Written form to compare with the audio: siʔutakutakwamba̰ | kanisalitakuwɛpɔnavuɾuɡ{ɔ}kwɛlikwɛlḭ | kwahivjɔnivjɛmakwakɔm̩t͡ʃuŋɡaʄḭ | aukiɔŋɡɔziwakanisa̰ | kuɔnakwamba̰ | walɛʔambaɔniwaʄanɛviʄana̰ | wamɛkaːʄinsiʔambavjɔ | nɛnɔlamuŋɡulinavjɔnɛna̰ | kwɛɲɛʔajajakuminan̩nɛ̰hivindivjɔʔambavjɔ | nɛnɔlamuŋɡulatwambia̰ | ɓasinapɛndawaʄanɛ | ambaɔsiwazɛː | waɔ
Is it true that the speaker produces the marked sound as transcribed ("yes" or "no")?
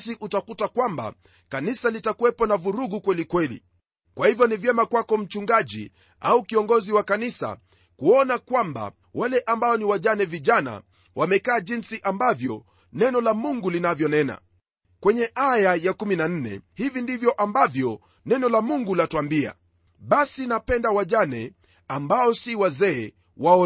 no